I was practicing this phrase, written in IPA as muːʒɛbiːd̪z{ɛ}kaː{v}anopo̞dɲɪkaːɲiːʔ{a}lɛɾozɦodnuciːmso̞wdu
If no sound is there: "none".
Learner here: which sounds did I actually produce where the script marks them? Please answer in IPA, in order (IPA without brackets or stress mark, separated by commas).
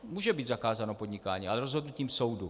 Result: a, z, a